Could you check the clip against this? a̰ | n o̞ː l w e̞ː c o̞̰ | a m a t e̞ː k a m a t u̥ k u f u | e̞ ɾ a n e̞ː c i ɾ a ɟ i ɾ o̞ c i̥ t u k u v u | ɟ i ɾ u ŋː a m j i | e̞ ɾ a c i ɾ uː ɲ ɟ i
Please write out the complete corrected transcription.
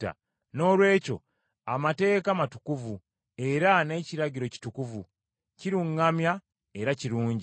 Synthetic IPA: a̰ | n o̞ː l w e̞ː c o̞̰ | a m a t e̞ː k a m a t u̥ k u v u | e̞ ɾ a n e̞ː c i ɾ a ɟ i ɾ o̞ c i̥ t u k u v u | c i ɾ u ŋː a m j a | e̞ ɾ a c i ɾ uː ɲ ɟ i